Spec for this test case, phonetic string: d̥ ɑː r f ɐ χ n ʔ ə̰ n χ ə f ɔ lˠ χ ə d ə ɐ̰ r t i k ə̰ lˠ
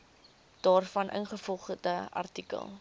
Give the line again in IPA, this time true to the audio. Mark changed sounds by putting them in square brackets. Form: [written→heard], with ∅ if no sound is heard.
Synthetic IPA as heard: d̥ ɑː r f ɐ [χ→∅] n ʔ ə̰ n χ ə f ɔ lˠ χ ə d ə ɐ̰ r t i k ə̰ lˠ